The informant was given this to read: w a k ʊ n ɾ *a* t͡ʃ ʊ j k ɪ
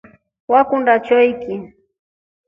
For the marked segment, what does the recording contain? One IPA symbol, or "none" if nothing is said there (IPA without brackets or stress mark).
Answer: a